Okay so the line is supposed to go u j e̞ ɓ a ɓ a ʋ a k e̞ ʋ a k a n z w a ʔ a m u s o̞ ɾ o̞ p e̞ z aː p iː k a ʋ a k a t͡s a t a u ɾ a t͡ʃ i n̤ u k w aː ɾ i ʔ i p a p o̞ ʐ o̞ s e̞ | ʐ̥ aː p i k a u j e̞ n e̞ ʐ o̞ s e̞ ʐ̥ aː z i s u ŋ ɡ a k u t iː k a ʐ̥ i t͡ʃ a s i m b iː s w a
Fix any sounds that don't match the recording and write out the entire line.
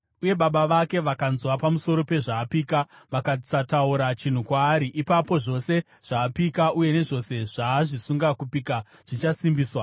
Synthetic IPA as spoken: u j e̞ ɓ a ɓ a ʋ a k e̞ ʋ a k a n z w a p a m u s o̞ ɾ o̞ p e̞ ʐ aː p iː k a ʋ a k a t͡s a t a u ɾ a t͡ʃ i n̤ u k w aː ɾ i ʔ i p a p o̞ ʐ o̞ s e̞ | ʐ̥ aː p i k a u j e̞ n e̞ ʐ o̞ s e̞ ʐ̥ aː ʐ i s u ŋ ɡ a k u p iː k a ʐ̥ i t͡ʃ a s i m b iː s w a